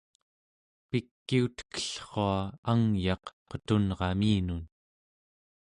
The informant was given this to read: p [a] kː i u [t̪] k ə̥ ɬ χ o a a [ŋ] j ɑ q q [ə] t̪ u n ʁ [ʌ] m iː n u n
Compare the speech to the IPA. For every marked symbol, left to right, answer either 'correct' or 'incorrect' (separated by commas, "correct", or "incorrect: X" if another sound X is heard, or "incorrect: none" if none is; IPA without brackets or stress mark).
incorrect: i, correct, correct, correct, incorrect: ɑ